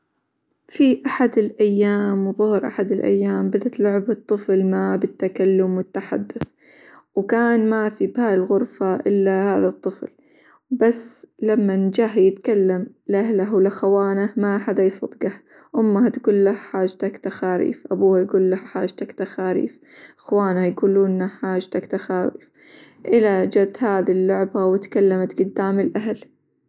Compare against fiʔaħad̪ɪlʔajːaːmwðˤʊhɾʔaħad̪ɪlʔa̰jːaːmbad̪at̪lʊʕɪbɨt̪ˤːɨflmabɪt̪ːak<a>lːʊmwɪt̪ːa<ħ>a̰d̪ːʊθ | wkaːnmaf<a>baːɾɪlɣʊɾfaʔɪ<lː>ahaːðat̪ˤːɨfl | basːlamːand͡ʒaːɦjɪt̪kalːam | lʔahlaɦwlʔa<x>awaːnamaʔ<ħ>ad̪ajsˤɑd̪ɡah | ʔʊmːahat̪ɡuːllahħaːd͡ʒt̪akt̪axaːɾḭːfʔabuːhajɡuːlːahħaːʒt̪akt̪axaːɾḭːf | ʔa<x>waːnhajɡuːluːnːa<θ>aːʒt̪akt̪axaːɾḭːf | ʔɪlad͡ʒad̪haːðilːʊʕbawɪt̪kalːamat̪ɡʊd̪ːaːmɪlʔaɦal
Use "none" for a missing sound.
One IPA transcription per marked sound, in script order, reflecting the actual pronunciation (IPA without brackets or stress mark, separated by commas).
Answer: a, ħ, i, lː, x, ħ, x, ħ